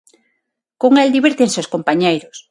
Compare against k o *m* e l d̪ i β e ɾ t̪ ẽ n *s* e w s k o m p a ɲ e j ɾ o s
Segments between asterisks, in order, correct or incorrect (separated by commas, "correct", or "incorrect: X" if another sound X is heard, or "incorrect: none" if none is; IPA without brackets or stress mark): incorrect: ŋ, correct